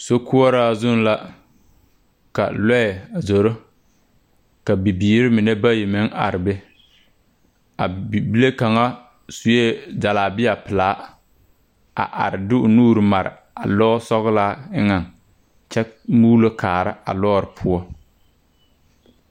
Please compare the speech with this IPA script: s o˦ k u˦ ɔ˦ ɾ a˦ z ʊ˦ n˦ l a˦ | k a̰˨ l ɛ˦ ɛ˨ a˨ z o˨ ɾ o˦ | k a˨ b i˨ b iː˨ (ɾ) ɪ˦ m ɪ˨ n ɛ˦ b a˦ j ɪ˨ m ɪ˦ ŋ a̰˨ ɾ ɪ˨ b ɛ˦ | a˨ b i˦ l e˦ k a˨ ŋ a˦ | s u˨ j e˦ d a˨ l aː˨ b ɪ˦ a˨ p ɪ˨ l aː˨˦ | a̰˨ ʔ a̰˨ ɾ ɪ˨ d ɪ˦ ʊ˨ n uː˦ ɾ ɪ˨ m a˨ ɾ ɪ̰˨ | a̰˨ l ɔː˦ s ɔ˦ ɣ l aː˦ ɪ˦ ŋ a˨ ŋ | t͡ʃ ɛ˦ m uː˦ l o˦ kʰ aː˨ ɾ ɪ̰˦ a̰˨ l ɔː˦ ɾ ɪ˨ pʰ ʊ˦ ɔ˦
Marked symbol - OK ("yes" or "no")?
yes